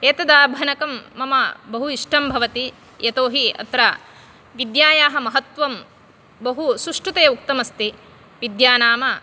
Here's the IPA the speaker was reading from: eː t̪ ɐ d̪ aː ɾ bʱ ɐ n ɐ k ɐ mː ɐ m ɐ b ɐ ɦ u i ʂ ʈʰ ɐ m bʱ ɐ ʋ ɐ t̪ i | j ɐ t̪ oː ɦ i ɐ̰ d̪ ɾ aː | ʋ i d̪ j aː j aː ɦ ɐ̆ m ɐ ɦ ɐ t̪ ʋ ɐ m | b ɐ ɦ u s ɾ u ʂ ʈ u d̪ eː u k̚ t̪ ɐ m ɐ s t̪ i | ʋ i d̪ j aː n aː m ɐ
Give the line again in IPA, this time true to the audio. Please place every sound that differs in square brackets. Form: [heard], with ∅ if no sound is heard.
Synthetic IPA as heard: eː t̪ ɐ d̪ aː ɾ bʱ ɐ n ɐ k ɐ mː ɐ m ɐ b ɐ ɦ u i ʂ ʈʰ ɐ m bʱ ɐ ʋ ɐ t̪ i | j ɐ t̪ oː ɦ i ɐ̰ [t̪] ɾ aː | ʋ i d̪ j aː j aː ɦ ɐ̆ m ɐ ɦ ɐ t̪ ʋ ɐ m | b ɐ ɦ u s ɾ u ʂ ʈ u [t̪] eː u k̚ t̪ ɐ m ɐ s t̪ i | ʋ i d̪ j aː n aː m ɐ

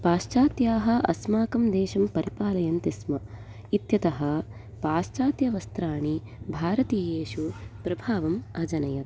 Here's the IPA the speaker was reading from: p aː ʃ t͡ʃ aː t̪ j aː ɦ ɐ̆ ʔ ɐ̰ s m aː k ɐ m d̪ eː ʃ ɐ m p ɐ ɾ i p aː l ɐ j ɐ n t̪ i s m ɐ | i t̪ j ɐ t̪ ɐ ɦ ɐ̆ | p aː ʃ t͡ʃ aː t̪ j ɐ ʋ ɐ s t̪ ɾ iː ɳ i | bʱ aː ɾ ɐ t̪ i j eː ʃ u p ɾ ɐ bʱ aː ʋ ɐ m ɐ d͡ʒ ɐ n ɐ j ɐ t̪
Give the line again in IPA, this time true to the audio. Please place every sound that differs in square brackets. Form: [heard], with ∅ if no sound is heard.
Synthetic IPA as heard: p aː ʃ t͡ʃ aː t̪ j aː ɦ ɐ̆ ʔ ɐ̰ s m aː k ɐ m d̪ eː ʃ ɐ m p ɐ ɾ i p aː l ɐ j ɐ n t̪ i s m ɐ | i t̪ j ɐ t̪ ɐ ɦ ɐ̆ | p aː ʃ t͡ʃ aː t̪ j ɐ ʋ ɐ s t̪ ɾ [aː] ɳ i | bʱ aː ɾ ɐ t̪ i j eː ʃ u p ɾ ɐ bʱ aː ʋ ɐ m ɐ d͡ʒ ɐ n ɐ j ɐ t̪

